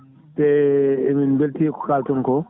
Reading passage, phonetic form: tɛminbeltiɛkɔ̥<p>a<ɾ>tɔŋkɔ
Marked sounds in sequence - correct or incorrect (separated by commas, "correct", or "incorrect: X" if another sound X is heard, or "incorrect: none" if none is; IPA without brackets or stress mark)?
incorrect: k, incorrect: l